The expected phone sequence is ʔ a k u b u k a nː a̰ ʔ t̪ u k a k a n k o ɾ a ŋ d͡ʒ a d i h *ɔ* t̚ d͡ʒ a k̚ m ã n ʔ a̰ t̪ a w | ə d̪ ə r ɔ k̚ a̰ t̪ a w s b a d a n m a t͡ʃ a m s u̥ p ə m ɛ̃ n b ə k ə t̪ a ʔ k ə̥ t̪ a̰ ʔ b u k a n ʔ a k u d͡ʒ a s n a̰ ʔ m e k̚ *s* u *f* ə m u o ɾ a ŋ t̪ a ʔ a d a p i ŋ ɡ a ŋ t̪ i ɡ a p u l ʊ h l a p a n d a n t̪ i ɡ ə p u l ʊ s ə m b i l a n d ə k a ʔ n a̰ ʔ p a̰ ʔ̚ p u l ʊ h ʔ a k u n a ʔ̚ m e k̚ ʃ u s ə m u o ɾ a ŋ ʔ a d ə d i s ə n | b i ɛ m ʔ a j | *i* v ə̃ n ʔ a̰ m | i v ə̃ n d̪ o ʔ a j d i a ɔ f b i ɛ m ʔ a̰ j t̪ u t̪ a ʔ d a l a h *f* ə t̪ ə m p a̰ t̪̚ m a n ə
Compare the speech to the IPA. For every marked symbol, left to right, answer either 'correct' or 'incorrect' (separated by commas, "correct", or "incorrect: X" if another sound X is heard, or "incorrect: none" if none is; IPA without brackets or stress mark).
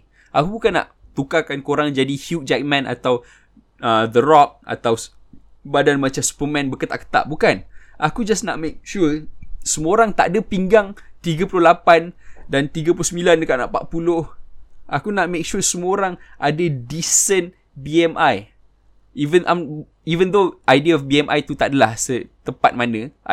incorrect: u, incorrect: ʃ, incorrect: s, correct, incorrect: s